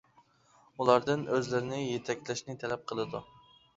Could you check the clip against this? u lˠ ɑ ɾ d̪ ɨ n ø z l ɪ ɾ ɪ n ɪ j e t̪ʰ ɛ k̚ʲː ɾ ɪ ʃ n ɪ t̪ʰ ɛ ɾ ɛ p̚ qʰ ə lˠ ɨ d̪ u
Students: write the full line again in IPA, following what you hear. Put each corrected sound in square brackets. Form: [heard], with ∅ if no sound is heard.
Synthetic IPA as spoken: u lˠ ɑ ɾ d̪ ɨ n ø z l ɪ ɾ ɪ n ɪ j e t̪ʰ ɛ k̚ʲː [l] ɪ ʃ n ɪ t̪ʰ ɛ [l] ɛ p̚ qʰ ə lˠ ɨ d̪ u